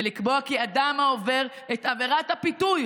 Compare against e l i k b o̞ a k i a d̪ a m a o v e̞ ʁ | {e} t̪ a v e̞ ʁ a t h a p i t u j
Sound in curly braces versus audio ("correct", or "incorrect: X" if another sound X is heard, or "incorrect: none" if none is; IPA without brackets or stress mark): correct